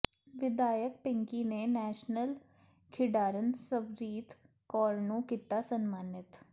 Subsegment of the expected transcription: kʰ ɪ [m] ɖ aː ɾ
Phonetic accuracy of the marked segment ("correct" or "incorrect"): incorrect